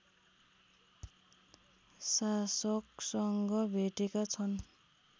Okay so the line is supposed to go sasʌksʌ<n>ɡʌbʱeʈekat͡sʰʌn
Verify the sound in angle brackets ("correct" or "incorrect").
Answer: incorrect